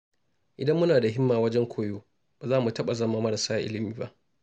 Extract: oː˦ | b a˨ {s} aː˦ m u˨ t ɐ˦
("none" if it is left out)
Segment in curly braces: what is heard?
z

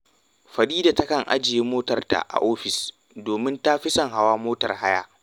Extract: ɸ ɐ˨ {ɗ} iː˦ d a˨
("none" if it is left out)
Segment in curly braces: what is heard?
ɗ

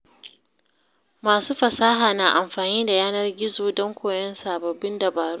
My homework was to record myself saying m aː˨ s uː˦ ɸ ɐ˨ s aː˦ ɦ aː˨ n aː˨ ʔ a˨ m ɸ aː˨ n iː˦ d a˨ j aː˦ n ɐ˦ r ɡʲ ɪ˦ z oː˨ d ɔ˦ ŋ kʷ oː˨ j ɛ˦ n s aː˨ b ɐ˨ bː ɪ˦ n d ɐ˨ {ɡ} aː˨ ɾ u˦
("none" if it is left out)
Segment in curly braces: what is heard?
b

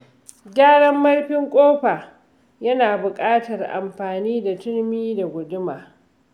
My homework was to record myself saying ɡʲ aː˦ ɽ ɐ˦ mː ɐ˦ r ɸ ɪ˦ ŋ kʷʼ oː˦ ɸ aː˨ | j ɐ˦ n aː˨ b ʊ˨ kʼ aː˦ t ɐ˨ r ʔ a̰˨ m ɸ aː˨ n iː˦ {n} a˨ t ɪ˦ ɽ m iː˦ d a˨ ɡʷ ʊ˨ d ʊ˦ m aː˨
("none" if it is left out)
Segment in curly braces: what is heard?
d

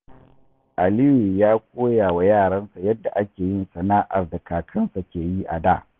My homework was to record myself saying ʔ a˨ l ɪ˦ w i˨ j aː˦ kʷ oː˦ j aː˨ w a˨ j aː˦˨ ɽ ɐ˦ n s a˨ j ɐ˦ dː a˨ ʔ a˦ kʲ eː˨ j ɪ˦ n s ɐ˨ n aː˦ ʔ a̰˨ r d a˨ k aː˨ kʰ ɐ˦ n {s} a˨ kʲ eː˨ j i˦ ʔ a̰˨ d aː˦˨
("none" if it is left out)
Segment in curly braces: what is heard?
s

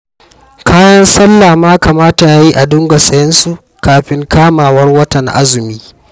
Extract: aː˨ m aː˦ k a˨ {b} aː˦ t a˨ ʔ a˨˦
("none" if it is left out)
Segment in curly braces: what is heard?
m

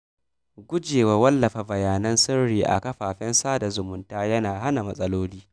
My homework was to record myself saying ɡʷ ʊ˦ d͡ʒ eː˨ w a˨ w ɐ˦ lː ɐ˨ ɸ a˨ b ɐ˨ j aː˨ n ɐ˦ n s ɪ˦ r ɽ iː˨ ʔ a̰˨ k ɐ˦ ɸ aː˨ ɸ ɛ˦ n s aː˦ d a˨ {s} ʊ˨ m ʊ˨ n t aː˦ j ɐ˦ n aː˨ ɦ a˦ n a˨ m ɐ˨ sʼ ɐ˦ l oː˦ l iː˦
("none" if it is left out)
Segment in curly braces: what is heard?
z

